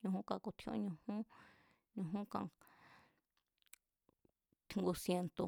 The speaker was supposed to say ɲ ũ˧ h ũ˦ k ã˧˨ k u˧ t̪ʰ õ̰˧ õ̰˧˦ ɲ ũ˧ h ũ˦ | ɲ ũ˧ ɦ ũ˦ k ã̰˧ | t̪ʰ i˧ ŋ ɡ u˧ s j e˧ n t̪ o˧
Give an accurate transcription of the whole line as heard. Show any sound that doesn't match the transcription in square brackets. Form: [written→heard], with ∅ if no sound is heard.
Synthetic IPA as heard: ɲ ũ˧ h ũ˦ k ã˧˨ k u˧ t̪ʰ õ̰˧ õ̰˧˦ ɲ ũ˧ h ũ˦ | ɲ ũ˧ ɦ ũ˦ k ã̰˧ | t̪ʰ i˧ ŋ ɡ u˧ s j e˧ n t̪ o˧